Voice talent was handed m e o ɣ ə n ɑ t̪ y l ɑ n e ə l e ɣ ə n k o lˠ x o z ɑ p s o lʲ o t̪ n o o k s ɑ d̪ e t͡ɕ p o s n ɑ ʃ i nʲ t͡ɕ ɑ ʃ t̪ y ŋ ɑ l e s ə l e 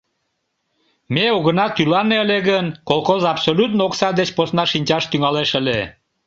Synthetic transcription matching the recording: m e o ɣ ə n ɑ t̪ y l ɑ n e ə l e ɣ ə n k o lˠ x o z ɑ p s o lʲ u t̪ n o o k s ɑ d̪ e t͡ɕ p o s n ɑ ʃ i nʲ t͡ɕ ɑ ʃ t̪ y ŋ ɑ l e ʃ ə l e